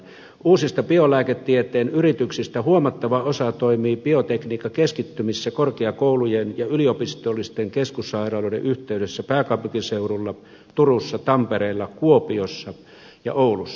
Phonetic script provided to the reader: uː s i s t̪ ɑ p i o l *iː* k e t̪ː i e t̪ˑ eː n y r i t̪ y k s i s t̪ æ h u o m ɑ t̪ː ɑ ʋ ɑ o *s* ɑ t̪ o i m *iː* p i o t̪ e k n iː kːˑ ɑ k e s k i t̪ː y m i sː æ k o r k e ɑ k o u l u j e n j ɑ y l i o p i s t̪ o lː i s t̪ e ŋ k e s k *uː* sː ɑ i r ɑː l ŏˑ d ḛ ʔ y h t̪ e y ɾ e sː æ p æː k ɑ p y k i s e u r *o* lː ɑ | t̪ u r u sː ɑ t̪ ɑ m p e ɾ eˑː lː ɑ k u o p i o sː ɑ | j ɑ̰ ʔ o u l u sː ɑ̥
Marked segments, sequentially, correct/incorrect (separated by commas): incorrect, correct, correct, incorrect, incorrect